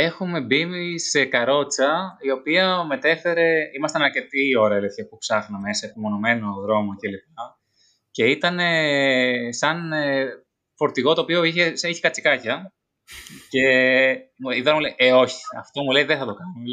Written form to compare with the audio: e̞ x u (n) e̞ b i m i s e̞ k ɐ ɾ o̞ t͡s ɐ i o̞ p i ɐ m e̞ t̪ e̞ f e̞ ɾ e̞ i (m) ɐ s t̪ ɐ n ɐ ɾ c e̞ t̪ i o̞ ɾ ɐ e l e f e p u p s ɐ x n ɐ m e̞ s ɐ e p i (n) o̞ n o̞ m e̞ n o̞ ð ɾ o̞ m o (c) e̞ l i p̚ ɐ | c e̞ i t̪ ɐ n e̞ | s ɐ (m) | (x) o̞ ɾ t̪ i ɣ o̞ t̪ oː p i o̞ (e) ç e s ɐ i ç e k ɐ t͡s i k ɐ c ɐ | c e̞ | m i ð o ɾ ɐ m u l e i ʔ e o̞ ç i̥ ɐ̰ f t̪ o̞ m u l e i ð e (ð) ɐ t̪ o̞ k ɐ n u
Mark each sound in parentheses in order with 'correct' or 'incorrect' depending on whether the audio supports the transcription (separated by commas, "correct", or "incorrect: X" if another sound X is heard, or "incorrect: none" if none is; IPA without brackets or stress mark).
incorrect: m, correct, incorrect: m, correct, incorrect: n, incorrect: f, incorrect: i, incorrect: θ